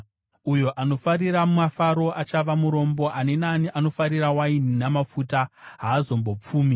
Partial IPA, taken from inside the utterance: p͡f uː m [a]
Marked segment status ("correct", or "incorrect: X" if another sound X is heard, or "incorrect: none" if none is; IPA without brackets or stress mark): incorrect: i